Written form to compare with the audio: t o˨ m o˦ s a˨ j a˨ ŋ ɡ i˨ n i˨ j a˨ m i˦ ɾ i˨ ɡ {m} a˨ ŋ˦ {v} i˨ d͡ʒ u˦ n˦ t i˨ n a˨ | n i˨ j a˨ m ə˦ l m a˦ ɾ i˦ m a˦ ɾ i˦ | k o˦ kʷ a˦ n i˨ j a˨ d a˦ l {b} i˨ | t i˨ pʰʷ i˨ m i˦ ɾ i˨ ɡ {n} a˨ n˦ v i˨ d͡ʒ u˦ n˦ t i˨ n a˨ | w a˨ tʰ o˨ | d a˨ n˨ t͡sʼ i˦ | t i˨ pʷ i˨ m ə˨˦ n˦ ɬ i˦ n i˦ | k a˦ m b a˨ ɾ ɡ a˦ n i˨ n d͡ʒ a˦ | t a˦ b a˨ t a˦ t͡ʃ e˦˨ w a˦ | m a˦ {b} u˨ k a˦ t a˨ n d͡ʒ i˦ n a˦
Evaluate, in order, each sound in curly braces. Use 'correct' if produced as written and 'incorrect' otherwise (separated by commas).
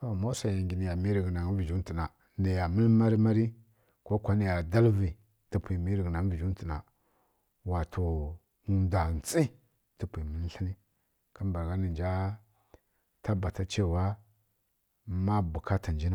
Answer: incorrect, correct, incorrect, correct, correct